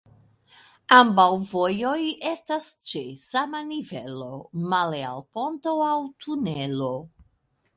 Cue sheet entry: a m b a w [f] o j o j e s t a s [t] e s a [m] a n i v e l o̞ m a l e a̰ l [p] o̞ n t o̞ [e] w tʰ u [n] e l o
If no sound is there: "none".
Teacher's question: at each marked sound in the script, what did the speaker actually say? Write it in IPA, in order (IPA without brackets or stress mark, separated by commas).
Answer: v, t͡ʃ, m, p, a, n